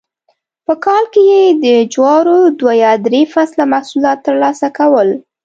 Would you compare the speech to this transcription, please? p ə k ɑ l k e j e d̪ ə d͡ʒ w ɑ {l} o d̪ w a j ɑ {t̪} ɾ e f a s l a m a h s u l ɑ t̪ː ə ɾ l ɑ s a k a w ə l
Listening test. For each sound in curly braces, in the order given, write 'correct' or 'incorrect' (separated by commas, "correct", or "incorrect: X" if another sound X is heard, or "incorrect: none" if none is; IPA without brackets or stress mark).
incorrect: ɾ, incorrect: d̪